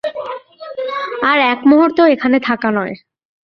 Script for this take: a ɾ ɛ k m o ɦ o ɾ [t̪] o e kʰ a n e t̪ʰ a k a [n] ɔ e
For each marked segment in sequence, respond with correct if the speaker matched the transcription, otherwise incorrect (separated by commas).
correct, correct